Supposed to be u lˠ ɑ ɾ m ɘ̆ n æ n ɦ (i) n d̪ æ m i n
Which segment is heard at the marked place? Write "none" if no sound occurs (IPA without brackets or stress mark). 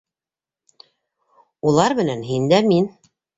i